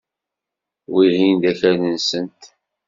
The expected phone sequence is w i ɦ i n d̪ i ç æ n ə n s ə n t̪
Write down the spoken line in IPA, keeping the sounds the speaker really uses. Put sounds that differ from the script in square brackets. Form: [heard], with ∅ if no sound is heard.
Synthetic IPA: w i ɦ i n d̪ [æ] ç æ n ə n s ə n t̪